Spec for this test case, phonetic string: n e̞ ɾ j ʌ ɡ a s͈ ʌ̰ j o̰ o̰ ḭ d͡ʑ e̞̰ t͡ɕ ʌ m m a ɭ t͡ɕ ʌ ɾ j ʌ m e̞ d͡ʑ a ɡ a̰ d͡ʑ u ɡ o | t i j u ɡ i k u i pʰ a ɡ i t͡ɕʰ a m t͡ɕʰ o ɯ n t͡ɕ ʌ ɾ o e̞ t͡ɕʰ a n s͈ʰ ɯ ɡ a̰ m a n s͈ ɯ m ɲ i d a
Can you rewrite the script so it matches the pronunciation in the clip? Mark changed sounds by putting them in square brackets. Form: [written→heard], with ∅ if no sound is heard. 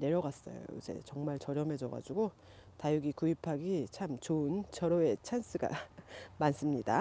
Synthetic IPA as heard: n e̞ ɾ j ʌ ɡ a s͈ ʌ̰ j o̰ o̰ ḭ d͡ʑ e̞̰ t͡ɕ ʌ [m→ŋ] m a ɭ t͡ɕ ʌ ɾ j ʌ m e̞ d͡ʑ [a→ʌ] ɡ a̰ d͡ʑ u ɡ o | t [i→a] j u ɡ i k u i pʰ a ɡ i t͡ɕʰ a m [t͡ɕʰ→t͡ɕ] o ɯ n t͡ɕ ʌ ɾ o e̞ t͡ɕʰ a n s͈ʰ ɯ ɡ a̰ m a n s͈ ɯ m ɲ i d a